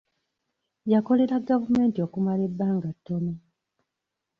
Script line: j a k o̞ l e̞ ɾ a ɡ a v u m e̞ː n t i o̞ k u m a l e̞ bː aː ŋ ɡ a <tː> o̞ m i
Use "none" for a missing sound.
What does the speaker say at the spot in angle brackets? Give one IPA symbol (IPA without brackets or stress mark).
tː